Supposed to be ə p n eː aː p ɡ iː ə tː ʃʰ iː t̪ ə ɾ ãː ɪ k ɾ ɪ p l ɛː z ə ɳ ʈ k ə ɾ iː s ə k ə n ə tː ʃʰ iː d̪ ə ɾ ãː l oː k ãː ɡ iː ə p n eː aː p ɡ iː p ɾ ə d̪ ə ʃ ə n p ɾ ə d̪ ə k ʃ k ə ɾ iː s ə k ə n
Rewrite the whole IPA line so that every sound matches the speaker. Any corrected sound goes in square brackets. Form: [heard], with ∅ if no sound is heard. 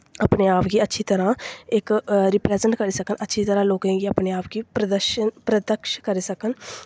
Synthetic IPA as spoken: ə p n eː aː p ɡ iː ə tː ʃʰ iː t̪ ə ɾ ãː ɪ k ɾ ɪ p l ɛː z ə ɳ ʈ k ə ɾ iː s ə k ə n ə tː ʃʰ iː [t̪] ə ɾ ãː l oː k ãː ɡ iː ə p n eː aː p ɡ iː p ɾ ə d̪ ə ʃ ə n p ɾ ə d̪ ə k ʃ k ə ɾ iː s ə k ə n

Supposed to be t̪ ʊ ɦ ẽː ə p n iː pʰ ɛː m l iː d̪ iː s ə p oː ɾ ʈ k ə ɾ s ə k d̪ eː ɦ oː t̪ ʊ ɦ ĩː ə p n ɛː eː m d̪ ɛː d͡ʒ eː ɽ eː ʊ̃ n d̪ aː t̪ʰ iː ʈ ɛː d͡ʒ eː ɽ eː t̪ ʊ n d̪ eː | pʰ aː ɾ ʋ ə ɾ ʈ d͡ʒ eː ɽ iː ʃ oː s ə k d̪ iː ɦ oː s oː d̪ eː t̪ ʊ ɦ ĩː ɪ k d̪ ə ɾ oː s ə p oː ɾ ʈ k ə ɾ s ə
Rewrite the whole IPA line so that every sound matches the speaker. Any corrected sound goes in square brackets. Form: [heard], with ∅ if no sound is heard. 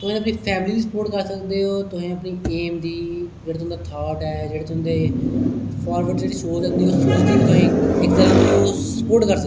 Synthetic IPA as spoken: t̪ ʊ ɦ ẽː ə p n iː pʰ ɛː m l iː d̪ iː s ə p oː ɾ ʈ k ə ɾ s ə k d̪ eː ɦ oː t̪ ʊ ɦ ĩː ə p n [iː] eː m d̪ [iː] d͡ʒ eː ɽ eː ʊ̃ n d̪ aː t̪ʰ [aː] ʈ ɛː d͡ʒ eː ɽ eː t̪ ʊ n d̪ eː | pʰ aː ɾ ʋ ə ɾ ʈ d͡ʒ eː ɽ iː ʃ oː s ə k d̪ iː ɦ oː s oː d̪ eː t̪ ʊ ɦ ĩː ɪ k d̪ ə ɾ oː s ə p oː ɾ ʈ k ə ɾ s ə

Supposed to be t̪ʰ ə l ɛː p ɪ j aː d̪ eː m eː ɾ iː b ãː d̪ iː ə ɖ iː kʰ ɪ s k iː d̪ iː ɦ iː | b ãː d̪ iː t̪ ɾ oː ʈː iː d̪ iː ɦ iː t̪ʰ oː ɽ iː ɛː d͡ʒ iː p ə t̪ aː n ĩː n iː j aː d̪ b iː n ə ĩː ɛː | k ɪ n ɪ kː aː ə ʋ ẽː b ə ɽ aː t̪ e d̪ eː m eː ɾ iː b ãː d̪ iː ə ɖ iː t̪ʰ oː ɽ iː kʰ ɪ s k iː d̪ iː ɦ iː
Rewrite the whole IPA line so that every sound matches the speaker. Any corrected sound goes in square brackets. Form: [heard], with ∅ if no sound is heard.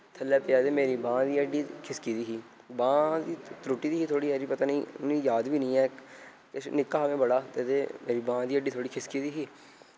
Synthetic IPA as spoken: t̪ʰ ə l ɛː p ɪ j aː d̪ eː m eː ɾ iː b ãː d̪ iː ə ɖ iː kʰ ɪ s k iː d̪ iː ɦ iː | b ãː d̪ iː t̪ ɾ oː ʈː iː d̪ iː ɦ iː t̪ʰ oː ɽ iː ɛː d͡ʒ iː p ə t̪ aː n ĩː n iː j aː d̪ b iː n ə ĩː ɛː | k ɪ n ɪ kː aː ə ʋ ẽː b ə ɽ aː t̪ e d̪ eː m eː ɾ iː b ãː d̪ iː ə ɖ iː t̪ʰ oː ɽ iː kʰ ɪ s k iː d̪ iː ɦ iː

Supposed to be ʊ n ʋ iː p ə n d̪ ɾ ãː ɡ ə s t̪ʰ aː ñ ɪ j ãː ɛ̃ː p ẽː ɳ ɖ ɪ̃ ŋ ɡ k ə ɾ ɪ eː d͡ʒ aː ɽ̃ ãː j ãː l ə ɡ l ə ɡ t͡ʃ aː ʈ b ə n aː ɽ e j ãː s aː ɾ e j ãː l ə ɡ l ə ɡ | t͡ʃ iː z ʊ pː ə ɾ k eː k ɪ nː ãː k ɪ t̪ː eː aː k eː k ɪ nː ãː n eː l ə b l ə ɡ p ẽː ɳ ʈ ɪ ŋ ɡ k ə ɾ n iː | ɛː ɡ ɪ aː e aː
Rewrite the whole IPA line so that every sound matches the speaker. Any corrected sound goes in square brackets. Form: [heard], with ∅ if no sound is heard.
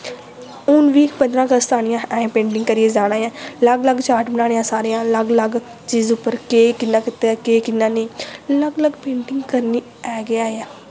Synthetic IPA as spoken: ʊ n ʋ iː p ə n d̪ ɾ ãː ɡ ə s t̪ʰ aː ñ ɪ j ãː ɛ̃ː p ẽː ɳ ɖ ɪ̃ ŋ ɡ k ə ɾ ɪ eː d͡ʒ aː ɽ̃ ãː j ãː l ə ɡ l ə ɡ t͡ʃ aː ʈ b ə n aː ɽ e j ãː s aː ɾ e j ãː l ə ɡ l ə ɡ | t͡ʃ iː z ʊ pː ə ɾ k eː k ɪ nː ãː k ɪ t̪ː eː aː k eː k ɪ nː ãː n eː l ə [ɡ] l ə ɡ p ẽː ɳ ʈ ɪ ŋ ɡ k ə ɾ n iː | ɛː ɡ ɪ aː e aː

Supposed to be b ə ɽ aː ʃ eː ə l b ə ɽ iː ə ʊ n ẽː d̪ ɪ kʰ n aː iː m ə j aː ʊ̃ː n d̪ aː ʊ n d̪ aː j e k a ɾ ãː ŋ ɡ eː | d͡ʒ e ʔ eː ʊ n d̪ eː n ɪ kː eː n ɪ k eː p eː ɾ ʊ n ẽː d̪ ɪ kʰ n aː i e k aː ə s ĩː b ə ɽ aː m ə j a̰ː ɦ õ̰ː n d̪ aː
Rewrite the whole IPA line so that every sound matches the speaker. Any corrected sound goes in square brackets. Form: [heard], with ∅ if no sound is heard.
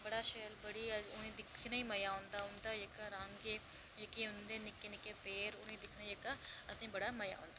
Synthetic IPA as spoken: b ə ɽ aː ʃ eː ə l b ə ɽ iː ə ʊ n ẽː d̪ ɪ kʰ n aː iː m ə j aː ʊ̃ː n d̪ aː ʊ n d̪ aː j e k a ɾ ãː ŋ ɡ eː | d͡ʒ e [k] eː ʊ n d̪ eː n ɪ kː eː n ɪ k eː p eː ɾ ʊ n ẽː d̪ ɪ kʰ n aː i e k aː ə s ĩː b ə ɽ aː m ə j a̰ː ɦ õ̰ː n d̪ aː

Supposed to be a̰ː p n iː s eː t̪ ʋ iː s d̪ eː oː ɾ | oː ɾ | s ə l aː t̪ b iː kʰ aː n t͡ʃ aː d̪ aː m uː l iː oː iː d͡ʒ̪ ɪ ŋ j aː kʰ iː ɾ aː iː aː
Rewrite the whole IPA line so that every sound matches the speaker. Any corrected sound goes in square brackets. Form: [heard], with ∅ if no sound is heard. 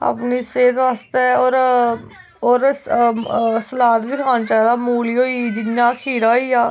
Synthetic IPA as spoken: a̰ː p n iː s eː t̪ ʋ [aː] s [t̪] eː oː ɾ | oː ɾ | s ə l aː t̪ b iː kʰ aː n t͡ʃ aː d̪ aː m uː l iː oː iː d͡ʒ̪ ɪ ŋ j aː kʰ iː ɾ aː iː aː

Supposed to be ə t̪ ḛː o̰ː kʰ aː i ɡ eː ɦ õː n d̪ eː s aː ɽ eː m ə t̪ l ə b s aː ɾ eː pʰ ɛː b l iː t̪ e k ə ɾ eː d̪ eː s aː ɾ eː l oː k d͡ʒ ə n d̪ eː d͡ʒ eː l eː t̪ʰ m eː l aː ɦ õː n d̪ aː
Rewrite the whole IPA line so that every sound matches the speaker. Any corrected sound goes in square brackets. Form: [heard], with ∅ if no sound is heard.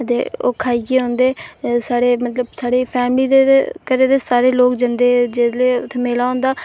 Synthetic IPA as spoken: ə t̪ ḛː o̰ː kʰ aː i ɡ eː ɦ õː n d̪ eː s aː ɽ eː m ə t̪ l ə b s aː [ɽ] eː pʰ ɛː [m] l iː [d̪] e k ə ɾ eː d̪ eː s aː ɾ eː l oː k d͡ʒ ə n d̪ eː d͡ʒ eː l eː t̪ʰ m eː l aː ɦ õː n d̪ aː

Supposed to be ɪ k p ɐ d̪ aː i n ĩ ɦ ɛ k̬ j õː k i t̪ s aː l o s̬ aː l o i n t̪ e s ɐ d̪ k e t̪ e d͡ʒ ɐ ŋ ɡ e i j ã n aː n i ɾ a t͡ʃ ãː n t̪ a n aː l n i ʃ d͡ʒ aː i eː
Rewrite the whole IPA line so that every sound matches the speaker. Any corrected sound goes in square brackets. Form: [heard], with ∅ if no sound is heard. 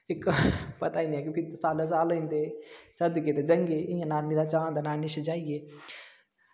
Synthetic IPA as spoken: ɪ k p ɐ [t̪] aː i n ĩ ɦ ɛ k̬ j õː k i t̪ s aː l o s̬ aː l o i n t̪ e s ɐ d̪ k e t̪ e d͡ʒ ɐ ŋ ɡ e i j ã n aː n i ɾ a t͡ʃ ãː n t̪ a n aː [∅] n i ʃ d͡ʒ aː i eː

